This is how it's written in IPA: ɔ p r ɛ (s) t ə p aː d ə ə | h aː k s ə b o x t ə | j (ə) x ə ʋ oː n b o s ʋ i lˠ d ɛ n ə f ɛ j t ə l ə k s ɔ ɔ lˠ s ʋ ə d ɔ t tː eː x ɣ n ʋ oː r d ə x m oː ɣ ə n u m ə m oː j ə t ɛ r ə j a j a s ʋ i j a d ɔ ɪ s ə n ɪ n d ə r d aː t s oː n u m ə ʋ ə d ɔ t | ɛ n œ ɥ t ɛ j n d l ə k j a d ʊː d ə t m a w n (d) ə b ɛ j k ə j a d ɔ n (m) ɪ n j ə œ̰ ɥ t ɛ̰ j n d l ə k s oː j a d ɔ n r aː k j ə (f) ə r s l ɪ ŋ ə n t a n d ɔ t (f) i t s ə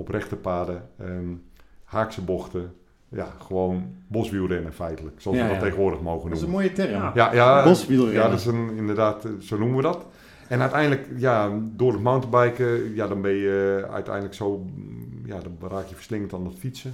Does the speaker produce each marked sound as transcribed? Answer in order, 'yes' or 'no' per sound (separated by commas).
no, no, no, no, yes, yes